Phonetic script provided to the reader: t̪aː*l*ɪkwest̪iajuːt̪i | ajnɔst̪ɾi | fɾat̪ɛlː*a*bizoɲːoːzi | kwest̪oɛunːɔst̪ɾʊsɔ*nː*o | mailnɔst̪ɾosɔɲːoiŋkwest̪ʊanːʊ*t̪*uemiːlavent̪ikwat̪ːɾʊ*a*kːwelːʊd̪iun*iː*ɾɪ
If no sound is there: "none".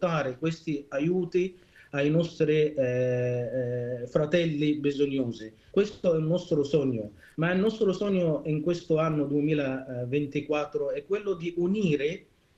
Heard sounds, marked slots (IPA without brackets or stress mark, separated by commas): ɾ, i, ɲː, d̪, ɛ, iː